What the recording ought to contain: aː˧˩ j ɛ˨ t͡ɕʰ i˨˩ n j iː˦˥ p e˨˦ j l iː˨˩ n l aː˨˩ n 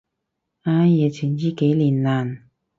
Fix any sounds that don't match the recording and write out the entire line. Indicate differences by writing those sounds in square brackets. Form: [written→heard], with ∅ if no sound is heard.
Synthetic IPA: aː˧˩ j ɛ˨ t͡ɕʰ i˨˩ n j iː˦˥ [p→k] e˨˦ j l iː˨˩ n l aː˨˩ n